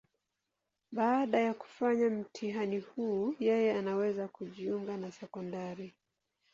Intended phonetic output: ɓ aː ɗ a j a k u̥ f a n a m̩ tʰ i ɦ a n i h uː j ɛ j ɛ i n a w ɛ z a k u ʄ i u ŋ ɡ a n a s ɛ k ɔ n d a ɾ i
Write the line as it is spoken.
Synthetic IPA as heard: ɓ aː ɗ a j a k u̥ f a ɲ a m̩ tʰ i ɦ a n i h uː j ɛ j ɛ a n a w ɛ z a k u ʄ i u ŋ ɡ a n a s ɛ k ɔ n d a ɾ i